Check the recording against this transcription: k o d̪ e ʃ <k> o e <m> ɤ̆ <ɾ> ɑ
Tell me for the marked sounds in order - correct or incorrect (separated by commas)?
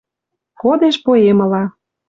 incorrect, correct, incorrect